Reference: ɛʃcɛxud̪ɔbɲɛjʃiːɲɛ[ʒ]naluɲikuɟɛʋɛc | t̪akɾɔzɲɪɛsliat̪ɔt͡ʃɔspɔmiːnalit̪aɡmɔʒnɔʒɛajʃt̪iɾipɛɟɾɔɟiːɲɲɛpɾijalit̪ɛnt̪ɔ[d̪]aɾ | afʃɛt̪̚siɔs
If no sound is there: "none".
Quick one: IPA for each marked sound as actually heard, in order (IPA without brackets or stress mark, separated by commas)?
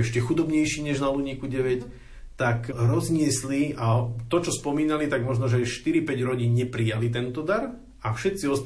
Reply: ʒ, d̪